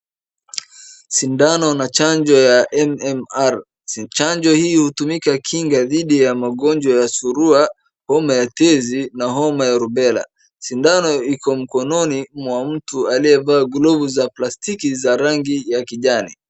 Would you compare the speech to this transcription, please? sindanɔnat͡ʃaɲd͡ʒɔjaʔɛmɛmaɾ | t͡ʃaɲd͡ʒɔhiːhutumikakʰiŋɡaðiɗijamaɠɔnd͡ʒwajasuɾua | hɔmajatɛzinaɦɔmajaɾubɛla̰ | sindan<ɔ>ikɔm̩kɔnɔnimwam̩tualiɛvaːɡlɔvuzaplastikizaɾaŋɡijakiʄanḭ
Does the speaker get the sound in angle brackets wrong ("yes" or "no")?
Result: no